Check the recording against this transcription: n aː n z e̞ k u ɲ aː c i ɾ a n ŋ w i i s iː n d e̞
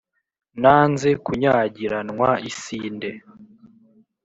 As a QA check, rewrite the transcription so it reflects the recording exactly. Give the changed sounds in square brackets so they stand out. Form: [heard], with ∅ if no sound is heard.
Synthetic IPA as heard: n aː n z e̞ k u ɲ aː [ɟ] i ɾ a n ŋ w [a] i s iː n d e̞